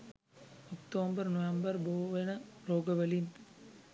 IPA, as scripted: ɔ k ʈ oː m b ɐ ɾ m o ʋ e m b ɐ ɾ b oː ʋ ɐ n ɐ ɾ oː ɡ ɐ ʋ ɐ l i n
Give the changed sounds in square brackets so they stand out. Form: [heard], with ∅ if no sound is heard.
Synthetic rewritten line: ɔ k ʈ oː m b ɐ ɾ [n] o ʋ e m b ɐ ɾ b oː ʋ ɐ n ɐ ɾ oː ɡ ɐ ʋ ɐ l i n